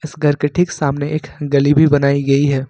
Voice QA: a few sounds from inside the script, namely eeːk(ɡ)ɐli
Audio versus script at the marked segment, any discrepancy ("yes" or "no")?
no